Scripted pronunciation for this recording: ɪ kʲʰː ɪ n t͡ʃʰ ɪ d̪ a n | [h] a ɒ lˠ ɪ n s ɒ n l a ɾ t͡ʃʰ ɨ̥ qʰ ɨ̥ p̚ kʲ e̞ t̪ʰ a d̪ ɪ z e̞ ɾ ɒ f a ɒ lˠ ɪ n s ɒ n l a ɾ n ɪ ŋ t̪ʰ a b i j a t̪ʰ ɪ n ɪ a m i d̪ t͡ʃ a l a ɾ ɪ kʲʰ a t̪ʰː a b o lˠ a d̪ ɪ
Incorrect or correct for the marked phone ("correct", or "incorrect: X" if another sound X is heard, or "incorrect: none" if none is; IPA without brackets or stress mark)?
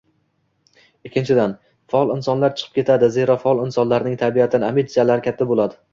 incorrect: f